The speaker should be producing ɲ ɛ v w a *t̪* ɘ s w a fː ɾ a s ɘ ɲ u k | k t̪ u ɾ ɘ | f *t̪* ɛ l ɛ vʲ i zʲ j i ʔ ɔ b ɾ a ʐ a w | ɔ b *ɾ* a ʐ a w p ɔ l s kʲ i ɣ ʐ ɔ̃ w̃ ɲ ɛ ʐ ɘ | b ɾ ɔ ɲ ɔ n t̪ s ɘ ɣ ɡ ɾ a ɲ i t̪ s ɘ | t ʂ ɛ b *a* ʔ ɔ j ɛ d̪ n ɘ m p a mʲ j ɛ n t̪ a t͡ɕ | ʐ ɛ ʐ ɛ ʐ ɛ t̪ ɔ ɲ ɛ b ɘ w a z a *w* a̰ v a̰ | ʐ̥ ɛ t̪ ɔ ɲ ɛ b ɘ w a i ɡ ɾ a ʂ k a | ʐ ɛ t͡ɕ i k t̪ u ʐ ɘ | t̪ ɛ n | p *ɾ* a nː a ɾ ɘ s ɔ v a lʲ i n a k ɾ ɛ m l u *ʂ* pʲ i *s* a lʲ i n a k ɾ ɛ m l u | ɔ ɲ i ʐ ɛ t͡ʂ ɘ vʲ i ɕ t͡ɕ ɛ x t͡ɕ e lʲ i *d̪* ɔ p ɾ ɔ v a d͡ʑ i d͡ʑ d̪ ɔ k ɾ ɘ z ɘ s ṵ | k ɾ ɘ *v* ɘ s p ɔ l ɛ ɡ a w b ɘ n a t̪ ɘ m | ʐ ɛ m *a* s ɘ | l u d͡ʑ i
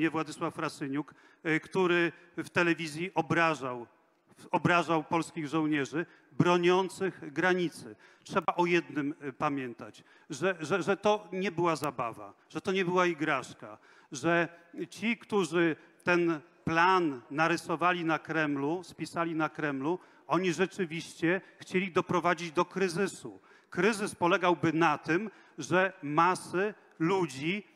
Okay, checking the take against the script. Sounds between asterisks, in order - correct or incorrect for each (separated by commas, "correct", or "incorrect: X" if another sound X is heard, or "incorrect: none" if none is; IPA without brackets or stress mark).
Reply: incorrect: d̪, correct, correct, correct, incorrect: b, incorrect: l, incorrect: s, correct, correct, incorrect: z, correct